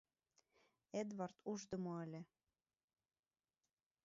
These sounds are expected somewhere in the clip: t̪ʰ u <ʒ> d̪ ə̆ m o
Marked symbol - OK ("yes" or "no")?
yes